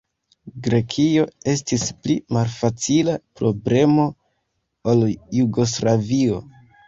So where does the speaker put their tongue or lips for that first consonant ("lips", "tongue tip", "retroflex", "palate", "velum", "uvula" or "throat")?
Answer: velum